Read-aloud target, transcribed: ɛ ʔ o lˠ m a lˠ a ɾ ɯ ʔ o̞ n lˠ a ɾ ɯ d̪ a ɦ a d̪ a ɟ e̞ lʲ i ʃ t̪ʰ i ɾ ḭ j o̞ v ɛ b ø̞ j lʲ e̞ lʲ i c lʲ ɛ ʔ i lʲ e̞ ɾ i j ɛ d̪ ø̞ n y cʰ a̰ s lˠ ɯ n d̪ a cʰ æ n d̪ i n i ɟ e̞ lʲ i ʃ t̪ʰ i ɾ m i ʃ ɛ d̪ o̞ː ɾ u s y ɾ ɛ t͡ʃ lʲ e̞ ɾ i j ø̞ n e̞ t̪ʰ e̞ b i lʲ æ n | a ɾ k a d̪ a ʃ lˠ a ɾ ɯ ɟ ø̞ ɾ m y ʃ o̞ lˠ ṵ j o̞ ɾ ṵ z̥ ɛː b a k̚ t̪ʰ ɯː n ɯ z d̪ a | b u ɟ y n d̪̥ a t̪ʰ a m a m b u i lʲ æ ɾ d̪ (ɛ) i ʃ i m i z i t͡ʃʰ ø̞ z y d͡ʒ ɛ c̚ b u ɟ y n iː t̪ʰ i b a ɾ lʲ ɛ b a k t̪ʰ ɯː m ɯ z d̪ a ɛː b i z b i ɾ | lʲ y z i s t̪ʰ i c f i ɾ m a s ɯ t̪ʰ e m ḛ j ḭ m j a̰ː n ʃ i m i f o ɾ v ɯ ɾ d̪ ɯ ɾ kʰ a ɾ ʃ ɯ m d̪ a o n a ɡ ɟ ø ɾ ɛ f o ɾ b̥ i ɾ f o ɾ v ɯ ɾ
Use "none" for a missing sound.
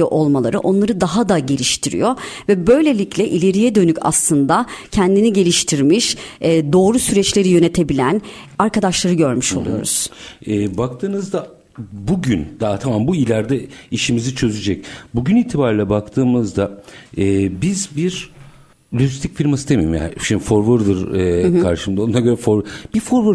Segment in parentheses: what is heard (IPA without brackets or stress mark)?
ɛ